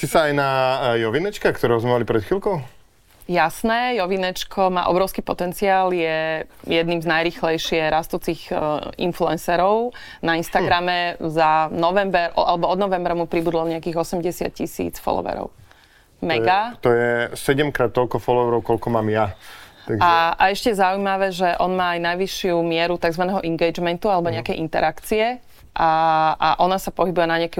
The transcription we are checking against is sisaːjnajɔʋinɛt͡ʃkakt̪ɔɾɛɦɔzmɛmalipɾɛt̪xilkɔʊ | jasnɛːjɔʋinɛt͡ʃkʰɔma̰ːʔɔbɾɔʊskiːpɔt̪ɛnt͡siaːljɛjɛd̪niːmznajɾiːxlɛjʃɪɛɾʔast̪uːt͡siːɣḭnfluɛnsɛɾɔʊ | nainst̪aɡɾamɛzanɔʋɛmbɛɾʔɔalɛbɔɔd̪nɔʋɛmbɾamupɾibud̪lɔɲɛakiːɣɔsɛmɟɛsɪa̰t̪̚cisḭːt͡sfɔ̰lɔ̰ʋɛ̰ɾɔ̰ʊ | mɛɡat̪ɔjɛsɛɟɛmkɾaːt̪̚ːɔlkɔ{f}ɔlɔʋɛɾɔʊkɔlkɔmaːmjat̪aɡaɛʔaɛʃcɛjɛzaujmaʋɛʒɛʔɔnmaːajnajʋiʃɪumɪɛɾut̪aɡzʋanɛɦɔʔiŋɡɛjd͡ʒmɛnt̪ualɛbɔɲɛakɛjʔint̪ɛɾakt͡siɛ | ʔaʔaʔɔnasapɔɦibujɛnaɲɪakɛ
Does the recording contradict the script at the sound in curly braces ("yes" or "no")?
no